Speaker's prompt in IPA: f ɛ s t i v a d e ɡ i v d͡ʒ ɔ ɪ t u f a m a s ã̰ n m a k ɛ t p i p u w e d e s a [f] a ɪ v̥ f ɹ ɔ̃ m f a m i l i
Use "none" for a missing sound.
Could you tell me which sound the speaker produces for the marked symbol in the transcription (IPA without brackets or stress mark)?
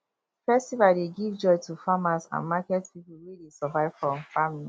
v